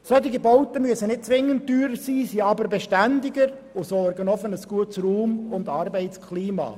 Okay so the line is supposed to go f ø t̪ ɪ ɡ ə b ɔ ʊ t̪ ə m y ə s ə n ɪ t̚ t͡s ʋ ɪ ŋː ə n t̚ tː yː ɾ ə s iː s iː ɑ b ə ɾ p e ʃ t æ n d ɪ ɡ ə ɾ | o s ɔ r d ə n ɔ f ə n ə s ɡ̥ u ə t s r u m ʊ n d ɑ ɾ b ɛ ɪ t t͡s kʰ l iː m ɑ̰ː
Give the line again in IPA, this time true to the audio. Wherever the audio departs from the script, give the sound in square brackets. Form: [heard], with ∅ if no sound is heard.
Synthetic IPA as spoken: [s] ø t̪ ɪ ɡ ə b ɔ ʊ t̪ ə m y ə s ə n ɪ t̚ t͡s ʋ ɪ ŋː ə n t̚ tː yː ɾ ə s iː s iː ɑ b ə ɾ [b] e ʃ t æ n d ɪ ɡ ə ɾ | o s ɔ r [ɡ] ə n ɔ f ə n ə s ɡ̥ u ə t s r [uː] m ʊ n d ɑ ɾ b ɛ ɪ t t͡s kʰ l iː m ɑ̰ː